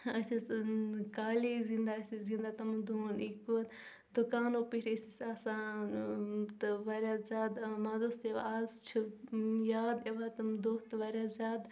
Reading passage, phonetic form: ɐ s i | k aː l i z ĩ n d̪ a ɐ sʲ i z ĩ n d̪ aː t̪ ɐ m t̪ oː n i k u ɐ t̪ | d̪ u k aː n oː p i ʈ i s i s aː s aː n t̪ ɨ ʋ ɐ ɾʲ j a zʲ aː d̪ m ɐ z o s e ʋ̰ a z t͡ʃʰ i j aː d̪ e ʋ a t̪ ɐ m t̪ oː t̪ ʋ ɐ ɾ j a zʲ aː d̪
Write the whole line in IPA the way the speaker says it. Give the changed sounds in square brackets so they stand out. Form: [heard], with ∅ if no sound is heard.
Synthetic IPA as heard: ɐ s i | k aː l i z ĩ n d̪ a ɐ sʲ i z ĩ n d̪ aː t̪ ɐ m [d̪] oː n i k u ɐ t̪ | d̪ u k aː n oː p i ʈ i s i s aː s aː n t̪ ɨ ʋ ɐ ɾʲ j a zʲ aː d̪ m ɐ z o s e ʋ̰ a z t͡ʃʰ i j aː d̪ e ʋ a t̪ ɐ m [d̪] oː t̪ ʋ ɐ ɾ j a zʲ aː d̪